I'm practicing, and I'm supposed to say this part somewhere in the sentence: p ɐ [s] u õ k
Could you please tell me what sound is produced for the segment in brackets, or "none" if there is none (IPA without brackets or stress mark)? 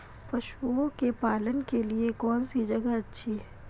ʃ